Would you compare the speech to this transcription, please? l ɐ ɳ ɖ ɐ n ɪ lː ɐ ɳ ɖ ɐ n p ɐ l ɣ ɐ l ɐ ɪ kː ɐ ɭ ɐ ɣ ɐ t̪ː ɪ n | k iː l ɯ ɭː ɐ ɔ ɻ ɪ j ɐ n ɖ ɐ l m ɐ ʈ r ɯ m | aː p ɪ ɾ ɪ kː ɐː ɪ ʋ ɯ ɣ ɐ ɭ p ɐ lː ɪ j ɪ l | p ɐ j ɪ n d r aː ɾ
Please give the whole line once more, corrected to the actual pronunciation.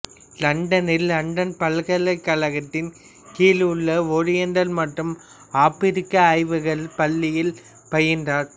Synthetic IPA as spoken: l ɐ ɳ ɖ ɐ n ɪ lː ɐ ɳ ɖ ɐ n p ɐ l ɣ ɐ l ɐ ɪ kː ɐ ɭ ɐ ɣ ɐ t̪ː ɪ n | k iː l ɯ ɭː ɐ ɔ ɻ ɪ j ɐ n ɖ ɐ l m ɐ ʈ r ɯ m | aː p ɪ ɾ ɪ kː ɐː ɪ ʋ ɯ ɣ ɐ ɭ p ɐ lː ɪ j ɪ l | p ɐ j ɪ n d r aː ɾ